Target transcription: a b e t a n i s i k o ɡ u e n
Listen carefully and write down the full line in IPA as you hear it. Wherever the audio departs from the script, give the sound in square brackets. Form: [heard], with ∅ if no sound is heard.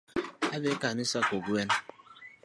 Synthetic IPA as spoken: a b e [k] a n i s [a] k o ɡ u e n